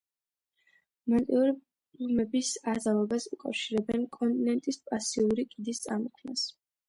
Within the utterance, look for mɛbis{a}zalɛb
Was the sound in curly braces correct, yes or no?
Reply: yes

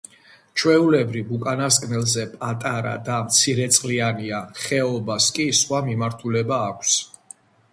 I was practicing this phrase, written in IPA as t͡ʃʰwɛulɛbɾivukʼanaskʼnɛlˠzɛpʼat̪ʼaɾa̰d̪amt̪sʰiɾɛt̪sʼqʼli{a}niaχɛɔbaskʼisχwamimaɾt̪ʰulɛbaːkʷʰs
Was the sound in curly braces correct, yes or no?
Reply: yes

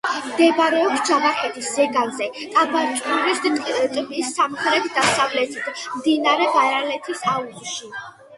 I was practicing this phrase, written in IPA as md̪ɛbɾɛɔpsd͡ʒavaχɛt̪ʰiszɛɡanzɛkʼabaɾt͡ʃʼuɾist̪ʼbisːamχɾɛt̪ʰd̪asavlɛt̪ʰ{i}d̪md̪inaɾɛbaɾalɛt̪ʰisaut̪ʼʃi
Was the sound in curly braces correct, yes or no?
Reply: yes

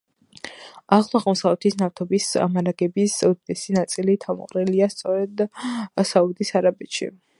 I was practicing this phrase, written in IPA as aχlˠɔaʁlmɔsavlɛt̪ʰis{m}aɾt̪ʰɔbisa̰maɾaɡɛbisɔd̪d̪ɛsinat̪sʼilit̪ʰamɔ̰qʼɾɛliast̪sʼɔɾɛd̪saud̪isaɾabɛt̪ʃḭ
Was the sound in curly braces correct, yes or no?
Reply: no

